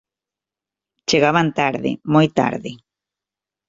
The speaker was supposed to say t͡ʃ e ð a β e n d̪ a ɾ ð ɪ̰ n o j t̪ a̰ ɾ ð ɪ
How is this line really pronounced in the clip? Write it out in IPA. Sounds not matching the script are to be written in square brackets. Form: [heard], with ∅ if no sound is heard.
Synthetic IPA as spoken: t͡ʃ e [ɣ] a β [a] n [t̪] a ɾ ð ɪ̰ [m] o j t̪ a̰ ɾ ð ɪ